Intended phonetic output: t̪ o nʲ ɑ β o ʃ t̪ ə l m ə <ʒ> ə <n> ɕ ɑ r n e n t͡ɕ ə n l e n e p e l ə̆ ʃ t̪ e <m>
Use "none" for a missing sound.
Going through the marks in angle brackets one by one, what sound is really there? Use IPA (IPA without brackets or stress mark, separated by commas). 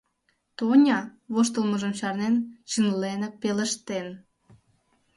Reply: ʒ, m, n